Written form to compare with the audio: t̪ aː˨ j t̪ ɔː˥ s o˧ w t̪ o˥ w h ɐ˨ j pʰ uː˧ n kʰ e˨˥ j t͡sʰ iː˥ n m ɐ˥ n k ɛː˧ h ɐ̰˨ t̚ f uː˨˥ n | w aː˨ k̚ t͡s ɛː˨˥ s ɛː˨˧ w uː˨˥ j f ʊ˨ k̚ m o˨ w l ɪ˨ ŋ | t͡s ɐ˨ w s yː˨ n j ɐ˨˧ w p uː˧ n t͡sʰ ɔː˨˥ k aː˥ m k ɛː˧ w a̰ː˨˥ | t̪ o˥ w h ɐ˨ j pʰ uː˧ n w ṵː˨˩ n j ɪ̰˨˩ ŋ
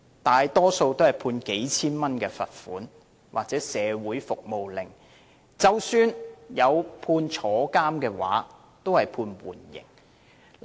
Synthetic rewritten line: t̪ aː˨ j t̪ ɔː˥ s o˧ w t̪ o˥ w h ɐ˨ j pʰ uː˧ n k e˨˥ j t͡sʰ iː˥ n m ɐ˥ n k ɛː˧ f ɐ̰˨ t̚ f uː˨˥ n | w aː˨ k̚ t͡s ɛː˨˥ s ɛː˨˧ w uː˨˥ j f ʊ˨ k̚ m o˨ w l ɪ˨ ŋ | t͡s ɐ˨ w s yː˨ n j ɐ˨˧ w pʰ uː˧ n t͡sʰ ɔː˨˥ k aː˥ m k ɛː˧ w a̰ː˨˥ | t̪ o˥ w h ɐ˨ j pʰ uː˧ n w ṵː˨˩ n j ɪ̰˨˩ ŋ